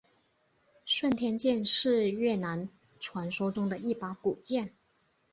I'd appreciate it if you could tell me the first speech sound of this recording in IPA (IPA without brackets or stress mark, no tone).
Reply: ʂ